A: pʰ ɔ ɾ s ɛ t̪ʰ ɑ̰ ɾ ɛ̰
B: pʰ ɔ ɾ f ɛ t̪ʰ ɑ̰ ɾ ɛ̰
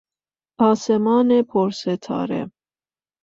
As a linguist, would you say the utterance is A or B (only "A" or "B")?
A